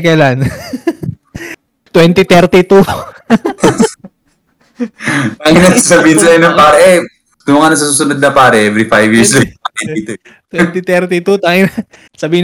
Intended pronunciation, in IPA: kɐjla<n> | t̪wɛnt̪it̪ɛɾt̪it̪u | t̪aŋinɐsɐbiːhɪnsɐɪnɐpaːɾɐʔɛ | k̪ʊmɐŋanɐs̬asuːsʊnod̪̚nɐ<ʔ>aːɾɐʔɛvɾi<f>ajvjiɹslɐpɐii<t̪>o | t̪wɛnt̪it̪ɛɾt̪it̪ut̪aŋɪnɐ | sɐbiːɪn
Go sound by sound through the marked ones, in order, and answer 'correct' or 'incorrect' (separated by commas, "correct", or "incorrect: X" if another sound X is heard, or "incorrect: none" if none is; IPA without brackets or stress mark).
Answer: correct, incorrect: p, correct, correct